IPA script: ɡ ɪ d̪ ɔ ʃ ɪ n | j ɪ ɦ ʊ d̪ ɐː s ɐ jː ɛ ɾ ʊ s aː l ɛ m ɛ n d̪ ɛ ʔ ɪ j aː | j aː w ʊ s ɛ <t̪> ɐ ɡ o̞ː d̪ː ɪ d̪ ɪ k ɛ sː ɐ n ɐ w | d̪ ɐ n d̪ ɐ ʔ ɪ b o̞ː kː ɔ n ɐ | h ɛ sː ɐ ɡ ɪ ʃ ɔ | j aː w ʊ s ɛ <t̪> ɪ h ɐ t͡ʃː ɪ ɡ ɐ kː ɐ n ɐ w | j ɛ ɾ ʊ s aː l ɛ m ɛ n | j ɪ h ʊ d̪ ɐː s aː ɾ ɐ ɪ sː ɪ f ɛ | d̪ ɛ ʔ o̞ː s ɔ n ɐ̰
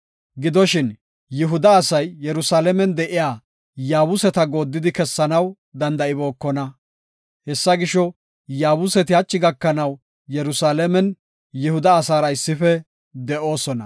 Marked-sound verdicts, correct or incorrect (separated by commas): correct, correct